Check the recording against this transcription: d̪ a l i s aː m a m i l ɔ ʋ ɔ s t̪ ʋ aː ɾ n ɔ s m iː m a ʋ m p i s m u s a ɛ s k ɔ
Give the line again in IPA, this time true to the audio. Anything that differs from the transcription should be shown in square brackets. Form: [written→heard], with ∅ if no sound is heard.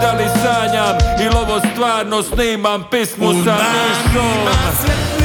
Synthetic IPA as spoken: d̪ a l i s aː [m→ɲ] a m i l ɔ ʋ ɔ s t̪ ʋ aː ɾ n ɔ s [m→n] iː m a [ʋ→∅] m p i s m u s a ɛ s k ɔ